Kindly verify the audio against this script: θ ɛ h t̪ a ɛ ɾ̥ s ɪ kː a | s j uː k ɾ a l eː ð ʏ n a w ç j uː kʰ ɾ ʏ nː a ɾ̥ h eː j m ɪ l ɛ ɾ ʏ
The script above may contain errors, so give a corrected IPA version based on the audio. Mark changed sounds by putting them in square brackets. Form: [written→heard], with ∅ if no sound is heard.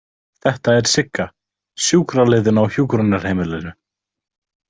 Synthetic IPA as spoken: θ ɛ h t̪ a ɛ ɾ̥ s ɪ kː a | s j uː k ɾ a l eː ð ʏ n a w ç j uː [kʰ→k] ɾ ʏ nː a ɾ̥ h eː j m ɪ l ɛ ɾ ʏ